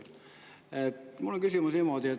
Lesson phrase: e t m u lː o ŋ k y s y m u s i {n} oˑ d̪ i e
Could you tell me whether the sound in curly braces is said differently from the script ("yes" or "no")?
yes